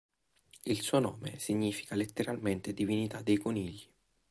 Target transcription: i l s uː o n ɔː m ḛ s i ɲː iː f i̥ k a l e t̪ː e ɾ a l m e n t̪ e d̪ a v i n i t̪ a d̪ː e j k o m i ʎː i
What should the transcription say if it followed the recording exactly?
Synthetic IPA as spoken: i l s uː o n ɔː m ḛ s i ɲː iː f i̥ k a l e t̪ː e ɾ a l m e n t̪ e d̪ i v i n i t̪ a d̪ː e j k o n i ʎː i